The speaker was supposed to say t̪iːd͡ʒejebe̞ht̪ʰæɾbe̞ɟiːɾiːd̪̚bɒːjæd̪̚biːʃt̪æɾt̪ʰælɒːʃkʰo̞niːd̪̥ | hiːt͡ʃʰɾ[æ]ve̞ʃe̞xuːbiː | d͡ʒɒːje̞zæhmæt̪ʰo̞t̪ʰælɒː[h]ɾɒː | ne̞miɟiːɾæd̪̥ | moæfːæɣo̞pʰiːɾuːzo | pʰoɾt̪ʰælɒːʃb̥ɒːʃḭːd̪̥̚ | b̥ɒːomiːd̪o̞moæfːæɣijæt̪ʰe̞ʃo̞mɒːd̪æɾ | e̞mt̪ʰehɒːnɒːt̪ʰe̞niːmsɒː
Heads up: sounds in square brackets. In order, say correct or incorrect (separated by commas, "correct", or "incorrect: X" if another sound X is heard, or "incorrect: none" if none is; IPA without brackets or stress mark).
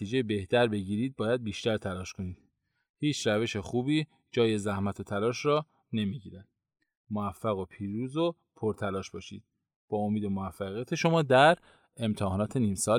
correct, incorrect: ʃ